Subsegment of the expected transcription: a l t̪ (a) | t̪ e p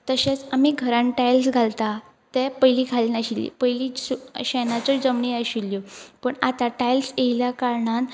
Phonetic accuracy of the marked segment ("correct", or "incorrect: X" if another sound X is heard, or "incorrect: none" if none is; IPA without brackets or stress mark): correct